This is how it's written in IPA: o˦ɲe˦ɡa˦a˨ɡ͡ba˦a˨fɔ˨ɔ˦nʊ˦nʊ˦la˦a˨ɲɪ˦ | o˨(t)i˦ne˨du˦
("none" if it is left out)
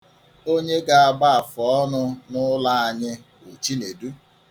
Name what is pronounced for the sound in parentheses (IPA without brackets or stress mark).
t͡ʃ